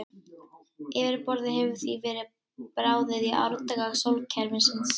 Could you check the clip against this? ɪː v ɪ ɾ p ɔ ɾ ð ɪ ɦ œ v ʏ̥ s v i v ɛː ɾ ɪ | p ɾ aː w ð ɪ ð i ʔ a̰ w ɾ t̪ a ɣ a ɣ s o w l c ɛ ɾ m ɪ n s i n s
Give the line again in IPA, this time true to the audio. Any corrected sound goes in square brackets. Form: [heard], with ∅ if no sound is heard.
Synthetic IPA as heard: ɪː v ɪ ɾ p ɔ ɾ ð ɪ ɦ [ɛ] v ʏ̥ [θ] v i v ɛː ɾ ɪ | p ɾ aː w ð ɪ ð i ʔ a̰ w ɾ t̪ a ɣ a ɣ s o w l [cʰ] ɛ ɾ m ɪ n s [ɪ] n s